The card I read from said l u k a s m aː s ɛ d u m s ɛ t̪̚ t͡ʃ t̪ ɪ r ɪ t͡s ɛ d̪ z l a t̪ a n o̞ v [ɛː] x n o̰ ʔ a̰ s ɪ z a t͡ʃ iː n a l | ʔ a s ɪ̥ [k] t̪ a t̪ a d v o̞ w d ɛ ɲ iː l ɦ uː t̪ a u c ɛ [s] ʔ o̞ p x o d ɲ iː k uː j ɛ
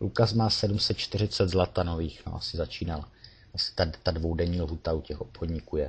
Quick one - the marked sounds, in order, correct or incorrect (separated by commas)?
incorrect, incorrect, incorrect